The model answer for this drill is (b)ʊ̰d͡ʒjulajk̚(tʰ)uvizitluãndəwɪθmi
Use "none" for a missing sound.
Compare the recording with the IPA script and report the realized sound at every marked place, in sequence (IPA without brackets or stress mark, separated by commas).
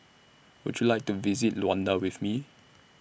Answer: w, t